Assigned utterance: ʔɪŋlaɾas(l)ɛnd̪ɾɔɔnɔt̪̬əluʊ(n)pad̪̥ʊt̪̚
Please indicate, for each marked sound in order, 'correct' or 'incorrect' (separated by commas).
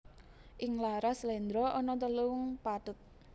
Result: correct, incorrect